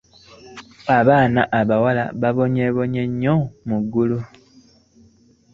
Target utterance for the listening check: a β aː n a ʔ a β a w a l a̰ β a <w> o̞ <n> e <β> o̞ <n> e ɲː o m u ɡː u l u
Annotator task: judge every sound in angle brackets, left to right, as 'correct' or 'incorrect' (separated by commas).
incorrect, incorrect, correct, incorrect